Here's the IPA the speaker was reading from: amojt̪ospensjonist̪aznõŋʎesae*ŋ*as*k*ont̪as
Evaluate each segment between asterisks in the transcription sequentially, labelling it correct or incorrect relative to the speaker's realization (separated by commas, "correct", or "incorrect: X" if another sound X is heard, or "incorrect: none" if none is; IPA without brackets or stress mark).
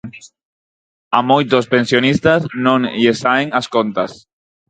correct, correct